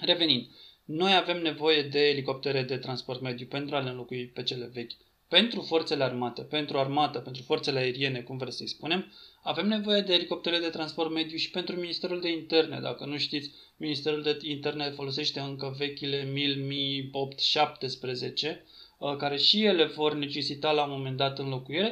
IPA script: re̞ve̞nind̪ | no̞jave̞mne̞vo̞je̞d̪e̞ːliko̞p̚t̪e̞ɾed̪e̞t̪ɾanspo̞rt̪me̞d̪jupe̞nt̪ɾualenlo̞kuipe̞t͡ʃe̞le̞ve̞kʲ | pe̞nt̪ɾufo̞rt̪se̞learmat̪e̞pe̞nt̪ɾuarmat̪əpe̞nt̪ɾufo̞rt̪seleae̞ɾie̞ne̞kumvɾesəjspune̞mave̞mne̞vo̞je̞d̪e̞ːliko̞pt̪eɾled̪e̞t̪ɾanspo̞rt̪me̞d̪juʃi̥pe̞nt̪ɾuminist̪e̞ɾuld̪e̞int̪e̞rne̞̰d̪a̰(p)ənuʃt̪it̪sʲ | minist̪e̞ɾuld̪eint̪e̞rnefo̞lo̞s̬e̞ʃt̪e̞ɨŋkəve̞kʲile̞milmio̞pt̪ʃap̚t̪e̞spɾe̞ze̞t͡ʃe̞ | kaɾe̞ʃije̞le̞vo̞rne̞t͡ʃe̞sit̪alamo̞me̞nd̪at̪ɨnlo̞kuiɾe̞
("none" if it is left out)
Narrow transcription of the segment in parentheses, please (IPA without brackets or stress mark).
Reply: k